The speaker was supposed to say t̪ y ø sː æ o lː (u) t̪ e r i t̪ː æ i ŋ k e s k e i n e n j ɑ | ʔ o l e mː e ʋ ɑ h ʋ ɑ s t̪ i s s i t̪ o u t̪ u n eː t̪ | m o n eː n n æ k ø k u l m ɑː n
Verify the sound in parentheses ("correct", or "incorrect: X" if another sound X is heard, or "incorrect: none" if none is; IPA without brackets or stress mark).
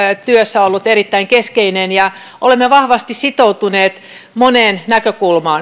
correct